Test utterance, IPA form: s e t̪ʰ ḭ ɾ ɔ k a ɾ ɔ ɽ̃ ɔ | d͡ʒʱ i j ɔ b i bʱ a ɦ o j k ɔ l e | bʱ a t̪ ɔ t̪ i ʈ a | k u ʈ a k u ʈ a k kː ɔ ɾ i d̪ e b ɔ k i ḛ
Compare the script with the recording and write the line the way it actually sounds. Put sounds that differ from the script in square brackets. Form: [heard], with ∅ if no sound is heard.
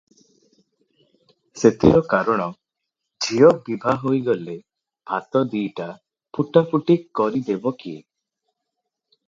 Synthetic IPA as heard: s e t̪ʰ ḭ ɾ ɔ k a ɾ ɔ ɽ̃ ɔ | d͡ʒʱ i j ɔ b i bʱ a ɦ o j [ɡ] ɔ l e | bʱ a t̪ ɔ [d̪] i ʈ a | [p] u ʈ a [p] u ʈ [i] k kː ɔ ɾ i d̪ e b ɔ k i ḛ